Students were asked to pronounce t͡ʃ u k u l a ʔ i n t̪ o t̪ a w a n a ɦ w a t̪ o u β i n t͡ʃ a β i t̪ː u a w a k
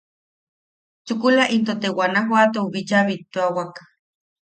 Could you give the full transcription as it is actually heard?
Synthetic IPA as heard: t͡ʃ u k u l a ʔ i n t̪ o t̪ e w a n a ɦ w a t̪ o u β i t͡ʃ a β i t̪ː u a w a k